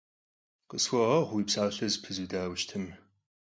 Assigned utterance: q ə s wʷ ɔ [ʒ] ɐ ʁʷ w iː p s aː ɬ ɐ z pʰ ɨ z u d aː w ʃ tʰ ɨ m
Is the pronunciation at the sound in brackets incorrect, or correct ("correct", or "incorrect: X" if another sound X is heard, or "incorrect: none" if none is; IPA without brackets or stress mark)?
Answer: incorrect: ʁ